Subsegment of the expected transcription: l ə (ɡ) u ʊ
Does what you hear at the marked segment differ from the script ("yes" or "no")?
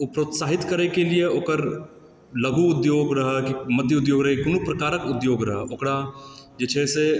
no